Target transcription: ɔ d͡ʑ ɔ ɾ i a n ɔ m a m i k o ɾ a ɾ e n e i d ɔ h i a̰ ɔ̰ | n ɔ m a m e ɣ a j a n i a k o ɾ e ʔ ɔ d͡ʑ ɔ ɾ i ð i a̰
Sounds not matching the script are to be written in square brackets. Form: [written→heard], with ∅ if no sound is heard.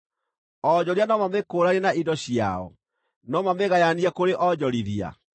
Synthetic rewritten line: ɔ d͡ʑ ɔ ɾ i a n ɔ m a m [i→e] k o ɾ a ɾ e n [e→a] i d ɔ [h→ɕ] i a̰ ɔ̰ | n ɔ m a m e ɣ a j a n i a k o ɾ e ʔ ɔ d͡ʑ ɔ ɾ i ð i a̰